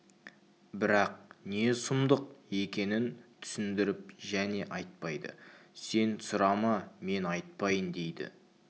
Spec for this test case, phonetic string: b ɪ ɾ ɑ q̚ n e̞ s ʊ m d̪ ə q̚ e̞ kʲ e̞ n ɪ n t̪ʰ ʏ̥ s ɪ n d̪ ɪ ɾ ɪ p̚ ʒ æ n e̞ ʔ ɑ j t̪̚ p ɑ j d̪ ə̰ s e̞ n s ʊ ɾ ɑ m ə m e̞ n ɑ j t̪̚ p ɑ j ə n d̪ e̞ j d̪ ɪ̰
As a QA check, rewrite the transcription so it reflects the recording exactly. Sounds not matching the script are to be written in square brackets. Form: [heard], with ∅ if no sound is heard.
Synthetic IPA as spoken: b ɪ ɾ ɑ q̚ n e̞ s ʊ m d̪ ə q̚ e̞ kʲ e̞ n ɪ n t̪ʰ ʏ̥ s ɪ n d̪ ɪ ɾ ɪ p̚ ʒ æ n e̞ ʔ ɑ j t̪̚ p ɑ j d̪ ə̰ s e̞ n s ʊ ɾ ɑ m [ɑ] m e̞ n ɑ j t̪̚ p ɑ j ə n d̪ e̞ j d̪ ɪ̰

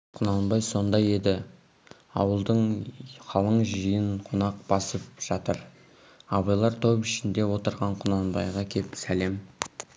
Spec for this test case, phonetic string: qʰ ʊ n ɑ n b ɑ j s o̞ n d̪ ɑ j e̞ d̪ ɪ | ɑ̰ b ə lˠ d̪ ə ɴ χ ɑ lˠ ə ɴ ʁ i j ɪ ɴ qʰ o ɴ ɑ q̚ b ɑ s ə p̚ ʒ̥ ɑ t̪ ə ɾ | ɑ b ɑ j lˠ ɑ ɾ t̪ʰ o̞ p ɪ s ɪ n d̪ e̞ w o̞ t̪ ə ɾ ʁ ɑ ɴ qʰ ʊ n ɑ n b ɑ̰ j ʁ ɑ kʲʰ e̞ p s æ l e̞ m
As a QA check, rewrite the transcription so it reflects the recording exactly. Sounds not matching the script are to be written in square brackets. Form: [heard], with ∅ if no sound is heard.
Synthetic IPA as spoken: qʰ ʊ n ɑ n b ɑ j s o̞ n d̪ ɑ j e̞ d̪ ɪ | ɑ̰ [w] ə lˠ d̪ ə ɴ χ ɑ lˠ ə ɴ [ʒ] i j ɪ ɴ qʰ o [n] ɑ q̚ b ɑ s ə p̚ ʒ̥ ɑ t̪ ə ɾ | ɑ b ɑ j lˠ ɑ ɾ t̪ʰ o̞ p ɪ [ʃ] ɪ n d̪ e̞ w o̞ t̪ ə ɾ ʁ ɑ ɴ qʰ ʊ n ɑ n b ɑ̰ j ʁ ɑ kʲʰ e̞ p s æ l e̞ m

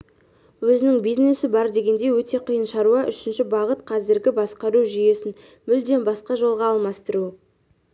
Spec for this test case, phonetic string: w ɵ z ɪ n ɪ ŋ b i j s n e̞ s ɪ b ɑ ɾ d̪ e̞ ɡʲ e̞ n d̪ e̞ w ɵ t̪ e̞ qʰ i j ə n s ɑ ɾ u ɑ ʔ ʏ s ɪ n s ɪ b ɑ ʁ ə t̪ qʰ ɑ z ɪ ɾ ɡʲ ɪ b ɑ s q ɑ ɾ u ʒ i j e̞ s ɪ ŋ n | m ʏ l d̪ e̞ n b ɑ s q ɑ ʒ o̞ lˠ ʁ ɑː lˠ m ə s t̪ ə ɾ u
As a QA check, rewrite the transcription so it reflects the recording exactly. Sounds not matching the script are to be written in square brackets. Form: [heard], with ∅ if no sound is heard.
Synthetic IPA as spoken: w ɵ z ɪ n ɪ ŋ b i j [z] n e̞ s ɪ b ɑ ɾ d̪ e̞ ɡʲ e̞ n d̪ e̞ w ɵ t̪ e̞ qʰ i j ə n [ʃ] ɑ ɾ u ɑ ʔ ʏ [ʃ] ɪ n [ʃ] ɪ b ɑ ʁ ə t̪ qʰ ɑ z ɪ ɾ ɡʲ ɪ b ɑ s q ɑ ɾ u ʒ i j e̞ s ɪ [∅] n | m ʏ l d̪ e̞ n b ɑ s q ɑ ʒ o̞ lˠ ʁ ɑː lˠ m [ɑ] s t̪ ə ɾ u

